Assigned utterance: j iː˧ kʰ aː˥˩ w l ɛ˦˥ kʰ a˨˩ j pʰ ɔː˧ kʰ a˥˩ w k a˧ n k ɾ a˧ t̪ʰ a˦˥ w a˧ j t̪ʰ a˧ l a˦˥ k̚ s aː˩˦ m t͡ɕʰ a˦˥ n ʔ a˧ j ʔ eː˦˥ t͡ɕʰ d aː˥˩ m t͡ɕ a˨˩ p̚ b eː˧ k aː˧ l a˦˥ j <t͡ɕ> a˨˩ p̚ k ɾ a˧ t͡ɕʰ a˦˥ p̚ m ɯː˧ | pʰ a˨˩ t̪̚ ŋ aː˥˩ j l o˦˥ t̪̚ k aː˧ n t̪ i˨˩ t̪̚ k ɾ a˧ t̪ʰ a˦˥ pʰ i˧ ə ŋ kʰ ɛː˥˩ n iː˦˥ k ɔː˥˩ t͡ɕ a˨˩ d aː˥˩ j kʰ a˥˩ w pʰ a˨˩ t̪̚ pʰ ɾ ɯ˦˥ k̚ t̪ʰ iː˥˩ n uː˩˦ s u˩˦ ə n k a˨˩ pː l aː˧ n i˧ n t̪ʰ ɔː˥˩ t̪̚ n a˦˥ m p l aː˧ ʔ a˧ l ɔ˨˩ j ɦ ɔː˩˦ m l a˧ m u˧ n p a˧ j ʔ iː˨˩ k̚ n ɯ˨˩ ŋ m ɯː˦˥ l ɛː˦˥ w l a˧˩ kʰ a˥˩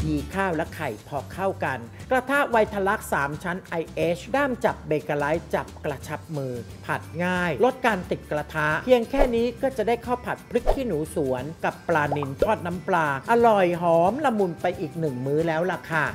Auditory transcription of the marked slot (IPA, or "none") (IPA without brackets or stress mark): t͡ɕ